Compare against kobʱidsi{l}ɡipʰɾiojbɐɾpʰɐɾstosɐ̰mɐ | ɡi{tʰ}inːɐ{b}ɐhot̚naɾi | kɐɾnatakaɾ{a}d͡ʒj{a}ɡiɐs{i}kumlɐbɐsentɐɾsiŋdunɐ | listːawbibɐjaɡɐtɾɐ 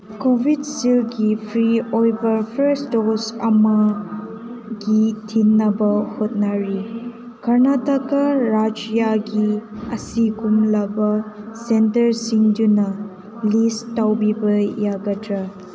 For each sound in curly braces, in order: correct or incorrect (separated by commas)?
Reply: correct, correct, correct, correct, correct, correct